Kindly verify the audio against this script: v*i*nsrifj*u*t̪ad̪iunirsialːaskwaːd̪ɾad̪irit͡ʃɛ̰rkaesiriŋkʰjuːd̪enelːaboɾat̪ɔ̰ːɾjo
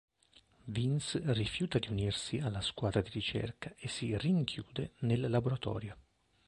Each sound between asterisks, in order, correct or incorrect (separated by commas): correct, incorrect